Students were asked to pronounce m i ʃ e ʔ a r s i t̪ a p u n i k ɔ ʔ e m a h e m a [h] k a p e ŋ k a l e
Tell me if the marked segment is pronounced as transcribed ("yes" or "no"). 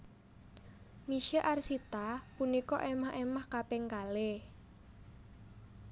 yes